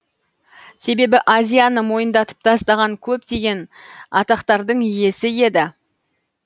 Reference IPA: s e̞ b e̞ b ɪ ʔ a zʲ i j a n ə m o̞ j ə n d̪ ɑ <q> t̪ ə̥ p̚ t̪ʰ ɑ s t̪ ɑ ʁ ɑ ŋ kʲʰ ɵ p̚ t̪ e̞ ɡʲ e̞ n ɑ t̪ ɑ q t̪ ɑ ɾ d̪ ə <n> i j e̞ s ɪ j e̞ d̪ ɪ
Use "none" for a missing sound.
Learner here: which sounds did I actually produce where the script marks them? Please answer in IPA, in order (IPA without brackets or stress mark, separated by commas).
none, ɴ